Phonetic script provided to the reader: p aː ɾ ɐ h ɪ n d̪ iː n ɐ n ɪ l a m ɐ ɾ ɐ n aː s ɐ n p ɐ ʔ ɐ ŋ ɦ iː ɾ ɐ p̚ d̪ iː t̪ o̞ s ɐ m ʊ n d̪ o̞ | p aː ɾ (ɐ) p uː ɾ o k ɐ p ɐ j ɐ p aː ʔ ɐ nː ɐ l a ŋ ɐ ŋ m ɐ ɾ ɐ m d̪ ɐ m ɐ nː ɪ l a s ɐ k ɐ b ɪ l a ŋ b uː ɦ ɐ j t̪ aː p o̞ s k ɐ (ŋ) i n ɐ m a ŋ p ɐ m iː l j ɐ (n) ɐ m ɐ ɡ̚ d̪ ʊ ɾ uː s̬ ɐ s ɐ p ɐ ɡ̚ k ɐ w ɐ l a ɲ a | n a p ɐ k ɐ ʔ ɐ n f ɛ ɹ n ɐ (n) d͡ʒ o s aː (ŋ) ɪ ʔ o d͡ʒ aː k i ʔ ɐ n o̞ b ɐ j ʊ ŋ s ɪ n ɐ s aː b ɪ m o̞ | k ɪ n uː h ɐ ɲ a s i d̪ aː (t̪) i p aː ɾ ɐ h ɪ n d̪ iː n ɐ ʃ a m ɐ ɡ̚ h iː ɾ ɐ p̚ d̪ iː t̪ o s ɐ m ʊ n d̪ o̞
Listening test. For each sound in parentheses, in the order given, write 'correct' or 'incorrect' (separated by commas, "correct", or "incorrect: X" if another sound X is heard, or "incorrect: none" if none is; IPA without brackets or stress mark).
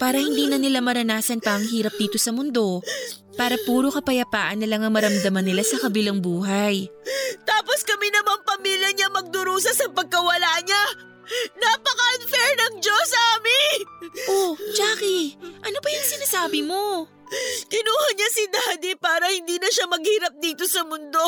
correct, incorrect: m, incorrect: ɲ, incorrect: ŋ, incorrect: m, incorrect: d̪